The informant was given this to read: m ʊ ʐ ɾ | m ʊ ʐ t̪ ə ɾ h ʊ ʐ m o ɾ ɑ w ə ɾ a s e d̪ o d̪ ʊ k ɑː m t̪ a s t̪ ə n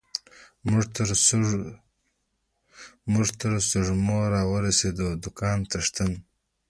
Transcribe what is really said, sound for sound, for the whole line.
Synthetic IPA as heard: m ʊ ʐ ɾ | m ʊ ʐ t̪ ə ɾ s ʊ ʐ m o ɾ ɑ w ə ɾ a s e d̪ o d̪ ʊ k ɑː n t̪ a ʂ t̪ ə n